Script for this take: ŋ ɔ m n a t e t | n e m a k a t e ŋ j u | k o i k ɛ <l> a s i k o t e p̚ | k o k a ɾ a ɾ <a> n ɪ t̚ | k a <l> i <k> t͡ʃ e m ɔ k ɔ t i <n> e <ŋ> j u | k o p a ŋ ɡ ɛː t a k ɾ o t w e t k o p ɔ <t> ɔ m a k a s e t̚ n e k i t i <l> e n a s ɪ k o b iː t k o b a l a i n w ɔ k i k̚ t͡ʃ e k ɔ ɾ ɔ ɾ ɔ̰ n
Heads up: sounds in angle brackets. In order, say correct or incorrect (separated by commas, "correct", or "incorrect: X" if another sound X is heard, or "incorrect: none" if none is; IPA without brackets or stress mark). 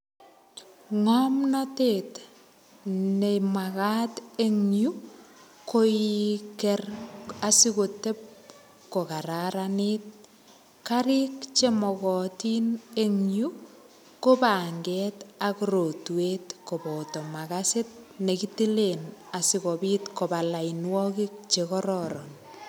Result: incorrect: r, correct, incorrect: ɾ, correct, correct, correct, correct, correct